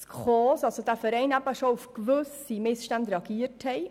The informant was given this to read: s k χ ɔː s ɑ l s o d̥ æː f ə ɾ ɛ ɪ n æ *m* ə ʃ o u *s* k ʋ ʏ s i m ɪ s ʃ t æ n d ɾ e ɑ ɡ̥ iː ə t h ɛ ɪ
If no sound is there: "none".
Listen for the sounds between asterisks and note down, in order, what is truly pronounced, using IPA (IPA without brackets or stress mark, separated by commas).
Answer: b, f